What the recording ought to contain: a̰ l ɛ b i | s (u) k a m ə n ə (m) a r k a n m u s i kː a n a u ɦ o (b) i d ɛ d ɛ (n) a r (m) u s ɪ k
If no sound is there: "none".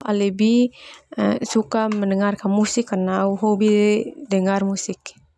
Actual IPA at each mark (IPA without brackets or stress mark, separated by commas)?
u, ŋ, b, ŋ, m